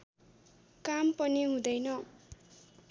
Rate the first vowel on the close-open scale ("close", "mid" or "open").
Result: open